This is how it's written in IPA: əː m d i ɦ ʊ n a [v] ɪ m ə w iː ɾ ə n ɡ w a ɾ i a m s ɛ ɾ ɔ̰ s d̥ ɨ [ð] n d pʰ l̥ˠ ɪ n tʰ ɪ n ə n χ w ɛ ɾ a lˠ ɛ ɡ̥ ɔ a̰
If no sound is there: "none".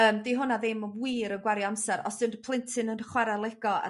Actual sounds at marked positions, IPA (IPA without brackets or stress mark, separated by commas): ð, none